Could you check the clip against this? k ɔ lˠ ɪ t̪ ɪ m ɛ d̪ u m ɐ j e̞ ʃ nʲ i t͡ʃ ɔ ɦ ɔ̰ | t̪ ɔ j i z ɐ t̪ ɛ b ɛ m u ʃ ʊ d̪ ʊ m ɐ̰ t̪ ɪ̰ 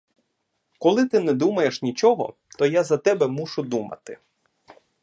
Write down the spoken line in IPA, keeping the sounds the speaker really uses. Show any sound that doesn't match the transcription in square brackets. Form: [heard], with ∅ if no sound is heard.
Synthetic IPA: k ɔ lˠ ɪ t̪ ɪ [n] ɛ d̪ u m ɐ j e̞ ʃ nʲ i t͡ʃ ɔ ɦ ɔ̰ | t̪ ɔ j [a] z ɐ t̪ ɛ b ɛ m u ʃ ʊ d̪ [u] m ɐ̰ t̪ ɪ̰